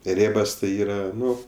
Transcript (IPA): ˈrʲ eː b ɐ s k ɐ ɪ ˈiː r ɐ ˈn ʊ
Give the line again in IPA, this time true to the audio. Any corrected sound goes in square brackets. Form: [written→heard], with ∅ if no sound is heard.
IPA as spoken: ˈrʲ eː b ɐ s [k→t] ɐ ɪ ˈiː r ɐ ˈn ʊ